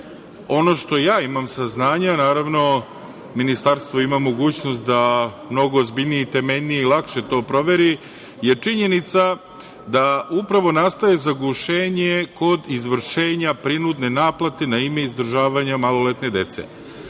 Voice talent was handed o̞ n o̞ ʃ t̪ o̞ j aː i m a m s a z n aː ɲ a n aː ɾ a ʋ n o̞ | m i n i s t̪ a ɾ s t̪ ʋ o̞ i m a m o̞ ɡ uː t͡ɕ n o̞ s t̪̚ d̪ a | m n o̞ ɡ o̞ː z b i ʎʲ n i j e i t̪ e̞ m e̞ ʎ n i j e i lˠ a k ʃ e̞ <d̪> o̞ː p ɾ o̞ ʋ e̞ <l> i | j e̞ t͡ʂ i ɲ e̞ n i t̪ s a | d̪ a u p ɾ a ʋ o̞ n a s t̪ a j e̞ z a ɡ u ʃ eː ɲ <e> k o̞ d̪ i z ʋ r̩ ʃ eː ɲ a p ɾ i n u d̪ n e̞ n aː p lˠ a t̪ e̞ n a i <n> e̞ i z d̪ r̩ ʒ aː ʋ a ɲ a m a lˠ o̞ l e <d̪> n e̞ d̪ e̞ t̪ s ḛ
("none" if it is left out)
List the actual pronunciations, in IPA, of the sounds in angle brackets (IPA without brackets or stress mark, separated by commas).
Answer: t̪, ɾ, e, m, t̪